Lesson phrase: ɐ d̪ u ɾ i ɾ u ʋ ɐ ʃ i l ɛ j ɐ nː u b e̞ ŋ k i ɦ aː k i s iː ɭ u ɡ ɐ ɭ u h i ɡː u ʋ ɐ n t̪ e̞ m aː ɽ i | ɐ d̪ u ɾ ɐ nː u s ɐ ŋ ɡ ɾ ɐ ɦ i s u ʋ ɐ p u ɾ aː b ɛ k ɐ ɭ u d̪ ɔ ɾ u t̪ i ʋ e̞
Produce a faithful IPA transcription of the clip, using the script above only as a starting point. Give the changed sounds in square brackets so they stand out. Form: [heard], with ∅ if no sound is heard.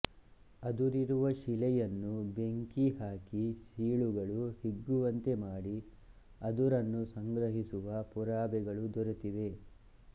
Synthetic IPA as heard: ɐ d̪ u ɾ i ɾ u ʋ ɐ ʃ i l ɛ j ɐ nː u b e̞ ŋ k i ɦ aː k i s iː ɭ u ɡ ɐ ɭ u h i ɡː u ʋ ɐ n t̪ e̞ m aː ɽ i | ɐ d̪ u ɾ ɐ nː u s ɐ ŋ ɡ ɾ ɐ ɦ i s u ʋ ɐ p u ɾ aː b ɛ [ɡ] ɐ ɭ u d̪ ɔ ɾ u t̪ i ʋ e̞